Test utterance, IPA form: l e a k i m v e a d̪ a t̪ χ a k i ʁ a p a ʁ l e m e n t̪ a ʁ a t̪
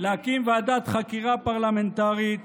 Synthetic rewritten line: l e a k i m v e a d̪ a t̪ χ a k i ʁ a p a ʁ l a m e n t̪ a ʁ i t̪